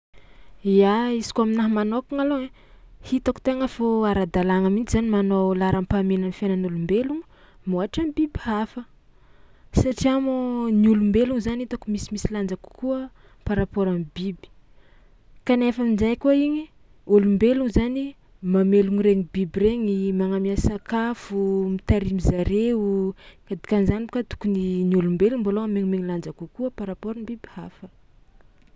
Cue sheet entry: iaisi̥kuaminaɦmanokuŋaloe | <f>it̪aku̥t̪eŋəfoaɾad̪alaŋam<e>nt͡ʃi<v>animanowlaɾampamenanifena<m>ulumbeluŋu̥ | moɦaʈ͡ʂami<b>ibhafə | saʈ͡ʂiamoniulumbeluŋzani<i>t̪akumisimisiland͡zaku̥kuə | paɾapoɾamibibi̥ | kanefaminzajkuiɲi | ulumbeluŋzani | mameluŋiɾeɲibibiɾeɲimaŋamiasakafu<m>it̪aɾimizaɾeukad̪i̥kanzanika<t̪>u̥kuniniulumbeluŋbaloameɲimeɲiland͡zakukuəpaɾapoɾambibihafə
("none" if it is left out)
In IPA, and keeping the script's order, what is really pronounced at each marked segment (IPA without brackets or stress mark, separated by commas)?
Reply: h, i, z, n, b, i, m, t̪